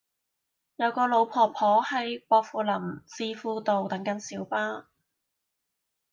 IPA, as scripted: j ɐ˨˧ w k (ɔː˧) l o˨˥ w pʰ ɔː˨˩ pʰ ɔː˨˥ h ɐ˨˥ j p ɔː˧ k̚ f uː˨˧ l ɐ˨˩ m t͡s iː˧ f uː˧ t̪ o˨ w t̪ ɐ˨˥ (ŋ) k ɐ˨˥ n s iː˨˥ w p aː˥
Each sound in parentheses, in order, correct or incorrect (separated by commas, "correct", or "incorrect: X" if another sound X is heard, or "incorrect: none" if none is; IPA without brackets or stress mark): correct, correct